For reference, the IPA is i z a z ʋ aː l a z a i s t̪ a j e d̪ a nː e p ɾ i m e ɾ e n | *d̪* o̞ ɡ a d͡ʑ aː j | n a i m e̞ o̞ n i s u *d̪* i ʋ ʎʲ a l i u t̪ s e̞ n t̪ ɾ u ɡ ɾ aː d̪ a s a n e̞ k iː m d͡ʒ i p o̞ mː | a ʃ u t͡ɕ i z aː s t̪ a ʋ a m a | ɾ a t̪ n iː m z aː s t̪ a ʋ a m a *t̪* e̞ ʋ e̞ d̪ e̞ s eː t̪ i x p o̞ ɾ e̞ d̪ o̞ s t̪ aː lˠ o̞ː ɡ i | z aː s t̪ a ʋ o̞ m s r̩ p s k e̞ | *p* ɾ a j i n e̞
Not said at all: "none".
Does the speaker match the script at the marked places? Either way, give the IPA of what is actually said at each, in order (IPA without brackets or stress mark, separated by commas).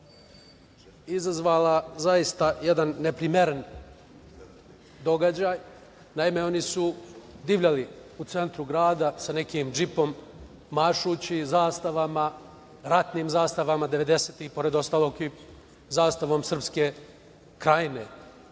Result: d̪, d̪, d̪, k